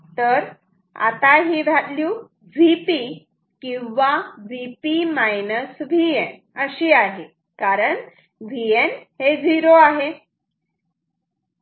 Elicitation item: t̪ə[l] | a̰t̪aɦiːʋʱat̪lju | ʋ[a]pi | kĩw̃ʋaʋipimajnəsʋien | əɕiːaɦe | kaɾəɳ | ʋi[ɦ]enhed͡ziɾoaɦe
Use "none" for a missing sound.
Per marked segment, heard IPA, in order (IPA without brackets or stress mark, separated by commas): ɾ, i, none